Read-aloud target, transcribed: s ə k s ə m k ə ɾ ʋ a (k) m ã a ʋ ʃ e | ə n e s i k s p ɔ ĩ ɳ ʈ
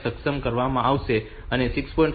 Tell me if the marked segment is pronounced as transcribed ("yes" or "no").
no